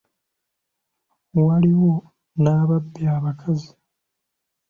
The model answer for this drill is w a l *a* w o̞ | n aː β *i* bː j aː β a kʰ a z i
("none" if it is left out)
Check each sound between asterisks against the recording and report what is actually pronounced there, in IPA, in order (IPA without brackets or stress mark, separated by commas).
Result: i, a